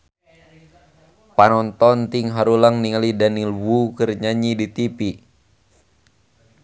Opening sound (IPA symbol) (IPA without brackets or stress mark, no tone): p